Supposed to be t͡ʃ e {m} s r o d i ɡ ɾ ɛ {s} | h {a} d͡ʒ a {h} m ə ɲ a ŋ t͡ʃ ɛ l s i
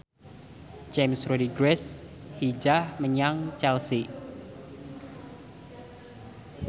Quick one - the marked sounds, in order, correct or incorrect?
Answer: correct, correct, incorrect: i, correct

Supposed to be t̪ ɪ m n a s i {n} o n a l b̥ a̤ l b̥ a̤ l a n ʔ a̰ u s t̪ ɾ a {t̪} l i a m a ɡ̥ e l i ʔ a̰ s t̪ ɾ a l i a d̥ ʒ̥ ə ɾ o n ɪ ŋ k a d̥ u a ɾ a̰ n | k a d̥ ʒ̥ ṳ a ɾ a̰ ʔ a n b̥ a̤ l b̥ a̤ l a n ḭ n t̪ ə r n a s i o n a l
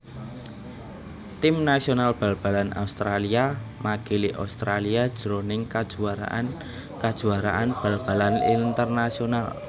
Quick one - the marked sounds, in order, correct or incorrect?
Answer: incorrect: none, incorrect: none

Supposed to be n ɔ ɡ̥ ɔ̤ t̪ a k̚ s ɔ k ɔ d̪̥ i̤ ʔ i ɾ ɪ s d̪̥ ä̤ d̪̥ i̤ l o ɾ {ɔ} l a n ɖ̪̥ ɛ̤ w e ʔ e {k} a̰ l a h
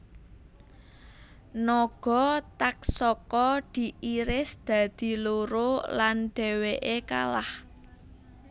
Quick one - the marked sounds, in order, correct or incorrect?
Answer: incorrect: o, correct

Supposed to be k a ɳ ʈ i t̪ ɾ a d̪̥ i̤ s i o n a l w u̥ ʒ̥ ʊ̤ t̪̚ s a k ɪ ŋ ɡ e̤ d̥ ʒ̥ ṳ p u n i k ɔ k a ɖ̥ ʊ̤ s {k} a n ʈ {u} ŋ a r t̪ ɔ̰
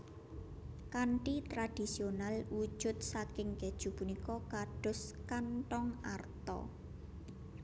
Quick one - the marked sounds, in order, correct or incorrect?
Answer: correct, incorrect: ɔ

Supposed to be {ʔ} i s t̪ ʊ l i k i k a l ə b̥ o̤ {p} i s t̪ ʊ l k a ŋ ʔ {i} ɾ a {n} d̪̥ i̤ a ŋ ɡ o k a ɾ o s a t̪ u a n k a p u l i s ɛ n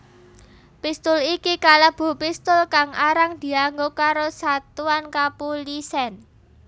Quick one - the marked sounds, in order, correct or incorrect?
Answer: incorrect: p, correct, incorrect: a, incorrect: ŋ

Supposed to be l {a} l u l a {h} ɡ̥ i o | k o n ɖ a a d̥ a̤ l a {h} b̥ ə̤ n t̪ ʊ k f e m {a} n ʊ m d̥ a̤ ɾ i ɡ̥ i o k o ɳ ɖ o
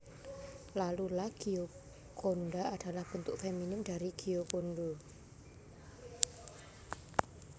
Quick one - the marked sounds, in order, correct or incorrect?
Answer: correct, correct, correct, incorrect: i

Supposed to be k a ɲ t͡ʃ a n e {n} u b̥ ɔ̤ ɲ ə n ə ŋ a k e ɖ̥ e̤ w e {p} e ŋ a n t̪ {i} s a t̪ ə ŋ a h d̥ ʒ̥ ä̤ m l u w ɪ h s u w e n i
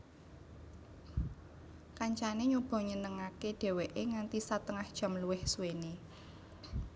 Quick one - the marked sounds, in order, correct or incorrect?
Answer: incorrect: ɲ, incorrect: ʔ, correct

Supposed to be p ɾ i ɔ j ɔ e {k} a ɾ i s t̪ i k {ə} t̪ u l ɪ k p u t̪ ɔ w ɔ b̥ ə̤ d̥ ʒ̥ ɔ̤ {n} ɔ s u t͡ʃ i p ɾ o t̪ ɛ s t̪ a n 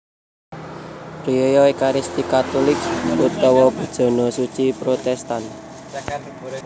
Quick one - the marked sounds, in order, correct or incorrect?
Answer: correct, incorrect: a, correct

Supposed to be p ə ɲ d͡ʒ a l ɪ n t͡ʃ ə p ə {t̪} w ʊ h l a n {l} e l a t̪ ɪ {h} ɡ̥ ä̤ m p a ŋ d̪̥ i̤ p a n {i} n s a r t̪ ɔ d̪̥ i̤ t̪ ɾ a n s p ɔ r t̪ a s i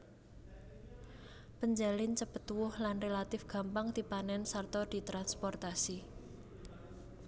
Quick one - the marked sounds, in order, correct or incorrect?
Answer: correct, incorrect: r, incorrect: f, incorrect: ɛ

